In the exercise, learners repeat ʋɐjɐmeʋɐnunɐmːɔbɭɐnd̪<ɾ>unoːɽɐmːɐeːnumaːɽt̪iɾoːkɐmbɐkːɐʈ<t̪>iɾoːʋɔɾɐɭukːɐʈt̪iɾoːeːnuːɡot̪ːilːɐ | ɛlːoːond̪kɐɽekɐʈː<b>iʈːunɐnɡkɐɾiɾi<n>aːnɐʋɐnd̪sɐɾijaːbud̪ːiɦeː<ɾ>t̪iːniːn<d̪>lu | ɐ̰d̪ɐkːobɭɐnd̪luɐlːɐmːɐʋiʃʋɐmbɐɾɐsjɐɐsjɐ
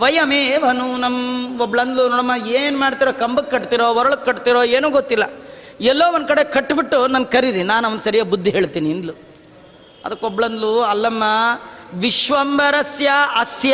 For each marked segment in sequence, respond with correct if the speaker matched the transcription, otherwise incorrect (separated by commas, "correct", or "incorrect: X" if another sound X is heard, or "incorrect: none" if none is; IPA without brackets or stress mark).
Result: incorrect: l, correct, correct, correct, incorrect: ɭ, correct